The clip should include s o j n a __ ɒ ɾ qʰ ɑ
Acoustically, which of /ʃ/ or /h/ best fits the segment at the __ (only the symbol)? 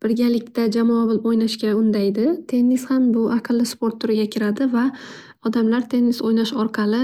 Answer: ʃ